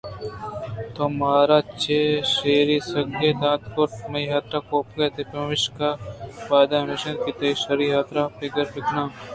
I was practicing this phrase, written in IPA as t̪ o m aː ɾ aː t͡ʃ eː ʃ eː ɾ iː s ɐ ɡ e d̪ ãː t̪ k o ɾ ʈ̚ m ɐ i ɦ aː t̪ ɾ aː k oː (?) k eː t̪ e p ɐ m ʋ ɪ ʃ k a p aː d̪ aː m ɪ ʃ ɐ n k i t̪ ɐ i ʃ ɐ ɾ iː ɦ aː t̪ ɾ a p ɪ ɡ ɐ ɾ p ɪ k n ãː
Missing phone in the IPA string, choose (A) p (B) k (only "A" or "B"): A